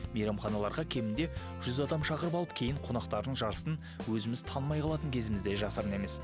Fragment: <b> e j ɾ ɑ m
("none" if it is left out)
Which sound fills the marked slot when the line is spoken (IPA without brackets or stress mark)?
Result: m